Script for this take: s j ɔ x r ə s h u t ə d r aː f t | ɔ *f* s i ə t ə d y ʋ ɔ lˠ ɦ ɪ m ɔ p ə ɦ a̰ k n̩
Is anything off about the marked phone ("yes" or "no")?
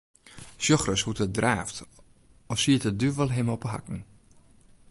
no